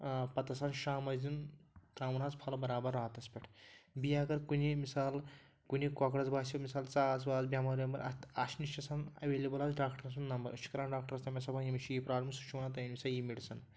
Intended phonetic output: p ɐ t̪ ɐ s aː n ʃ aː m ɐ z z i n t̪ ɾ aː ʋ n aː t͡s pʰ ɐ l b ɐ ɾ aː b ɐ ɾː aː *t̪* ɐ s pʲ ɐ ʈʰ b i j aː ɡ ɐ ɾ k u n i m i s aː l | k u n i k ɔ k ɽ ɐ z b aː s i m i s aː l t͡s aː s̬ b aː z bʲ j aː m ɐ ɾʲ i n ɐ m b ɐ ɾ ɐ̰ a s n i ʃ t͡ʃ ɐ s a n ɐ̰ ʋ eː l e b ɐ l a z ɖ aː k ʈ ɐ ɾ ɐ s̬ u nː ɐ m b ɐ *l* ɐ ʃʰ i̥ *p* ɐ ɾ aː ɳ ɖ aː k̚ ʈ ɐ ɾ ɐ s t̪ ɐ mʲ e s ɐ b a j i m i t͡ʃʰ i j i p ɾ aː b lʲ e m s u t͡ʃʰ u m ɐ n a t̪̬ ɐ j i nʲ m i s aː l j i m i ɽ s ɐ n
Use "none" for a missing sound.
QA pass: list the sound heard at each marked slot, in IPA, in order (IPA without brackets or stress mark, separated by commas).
t̪, ɾ, k